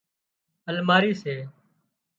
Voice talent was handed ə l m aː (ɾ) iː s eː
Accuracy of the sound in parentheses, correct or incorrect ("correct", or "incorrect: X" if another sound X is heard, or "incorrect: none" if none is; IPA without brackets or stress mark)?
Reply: correct